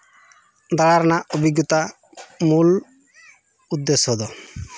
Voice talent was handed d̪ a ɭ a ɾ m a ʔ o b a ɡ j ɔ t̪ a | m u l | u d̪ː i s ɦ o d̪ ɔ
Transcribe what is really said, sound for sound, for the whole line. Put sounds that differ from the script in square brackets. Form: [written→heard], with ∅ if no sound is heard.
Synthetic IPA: d̪ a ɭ a ɾ [m→n] a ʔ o b [a→i] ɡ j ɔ t̪ a | m u l | u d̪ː [i→e] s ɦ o d̪ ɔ